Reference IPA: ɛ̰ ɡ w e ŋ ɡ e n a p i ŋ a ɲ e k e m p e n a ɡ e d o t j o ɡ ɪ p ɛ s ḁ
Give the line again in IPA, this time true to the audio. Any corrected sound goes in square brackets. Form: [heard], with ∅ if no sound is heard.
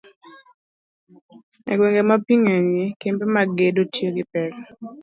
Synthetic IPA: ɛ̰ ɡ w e ŋ ɡ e [m] a p i ŋ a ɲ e k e m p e [m] a ɡ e d o t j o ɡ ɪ p ɛ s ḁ